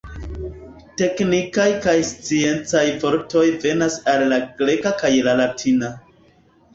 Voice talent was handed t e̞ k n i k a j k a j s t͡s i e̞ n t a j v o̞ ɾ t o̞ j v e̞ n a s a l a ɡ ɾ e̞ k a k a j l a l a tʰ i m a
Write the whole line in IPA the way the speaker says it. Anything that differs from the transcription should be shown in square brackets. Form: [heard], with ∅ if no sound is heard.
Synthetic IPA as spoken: t e̞ k n i k a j k a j s t͡s i e̞ n [t͡s] a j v o̞ ɾ t o̞ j v e̞ n a s a [lː] a ɡ ɾ e̞ k a k a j l a l a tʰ i [n] a